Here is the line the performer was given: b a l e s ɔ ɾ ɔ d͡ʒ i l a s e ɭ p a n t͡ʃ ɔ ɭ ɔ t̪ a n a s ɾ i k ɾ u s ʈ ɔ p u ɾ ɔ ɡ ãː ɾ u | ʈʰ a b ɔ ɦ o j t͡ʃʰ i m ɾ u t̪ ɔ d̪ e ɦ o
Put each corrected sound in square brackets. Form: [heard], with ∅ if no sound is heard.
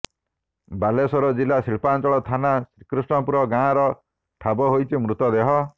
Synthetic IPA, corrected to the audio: b a l e s ɔ ɾ ɔ d͡ʒ i l a s [i] ɭ p a n t͡ʃ ɔ ɭ ɔ [t̪ʰ] a n a s ɾ i k ɾ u s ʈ ɔ p u ɾ ɔ ɡ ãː ɾ [ɔ] | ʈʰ a b ɔ ɦ o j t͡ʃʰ i m ɾ u t̪ ɔ d̪ e ɦ [ɔ]